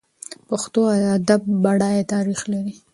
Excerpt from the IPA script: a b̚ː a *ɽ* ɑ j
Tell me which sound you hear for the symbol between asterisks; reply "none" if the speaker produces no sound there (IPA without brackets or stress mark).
ɽ